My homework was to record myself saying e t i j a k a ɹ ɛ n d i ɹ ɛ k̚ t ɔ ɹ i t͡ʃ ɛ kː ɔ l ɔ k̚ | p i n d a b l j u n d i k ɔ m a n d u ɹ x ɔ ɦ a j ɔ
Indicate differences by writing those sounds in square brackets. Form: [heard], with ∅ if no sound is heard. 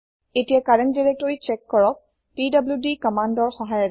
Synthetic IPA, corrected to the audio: e t i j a k a ɹ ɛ n d i ɹ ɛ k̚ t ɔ ɹ i t͡ʃ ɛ kː ɔ [ɹ] ɔ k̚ | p i [∅] d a b l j u [∅] d i k ɔ m a n d [ɔ] ɹ x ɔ ɦ a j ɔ